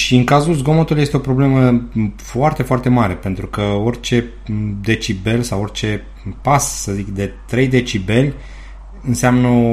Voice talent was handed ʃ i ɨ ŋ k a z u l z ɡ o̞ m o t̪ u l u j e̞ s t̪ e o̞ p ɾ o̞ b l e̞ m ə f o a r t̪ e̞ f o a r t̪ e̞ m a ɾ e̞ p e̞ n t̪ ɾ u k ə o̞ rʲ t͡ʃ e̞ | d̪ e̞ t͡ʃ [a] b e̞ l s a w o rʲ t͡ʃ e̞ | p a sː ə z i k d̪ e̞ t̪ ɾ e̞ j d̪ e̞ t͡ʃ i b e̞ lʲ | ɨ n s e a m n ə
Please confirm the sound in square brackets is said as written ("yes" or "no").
no